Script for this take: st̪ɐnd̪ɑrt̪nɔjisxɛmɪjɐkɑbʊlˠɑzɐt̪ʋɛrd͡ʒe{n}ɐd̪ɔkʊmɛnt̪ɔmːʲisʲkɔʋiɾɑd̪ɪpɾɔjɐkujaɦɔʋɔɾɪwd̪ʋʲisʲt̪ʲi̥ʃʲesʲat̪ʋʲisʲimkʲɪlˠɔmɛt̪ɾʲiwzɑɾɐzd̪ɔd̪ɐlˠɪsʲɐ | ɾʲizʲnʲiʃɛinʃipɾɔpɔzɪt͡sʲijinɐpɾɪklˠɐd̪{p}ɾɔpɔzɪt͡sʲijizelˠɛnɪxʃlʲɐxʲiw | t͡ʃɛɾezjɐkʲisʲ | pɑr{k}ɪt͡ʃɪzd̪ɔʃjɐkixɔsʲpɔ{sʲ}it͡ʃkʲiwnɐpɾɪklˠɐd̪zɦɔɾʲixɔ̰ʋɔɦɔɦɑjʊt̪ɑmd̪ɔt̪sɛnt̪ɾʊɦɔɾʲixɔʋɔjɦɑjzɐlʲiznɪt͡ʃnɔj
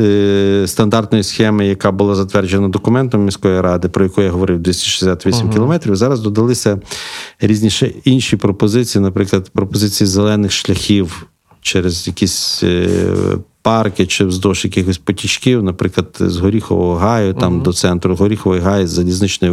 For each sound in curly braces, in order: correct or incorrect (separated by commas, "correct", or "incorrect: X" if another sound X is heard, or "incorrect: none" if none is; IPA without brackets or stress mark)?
correct, correct, correct, incorrect: tʲ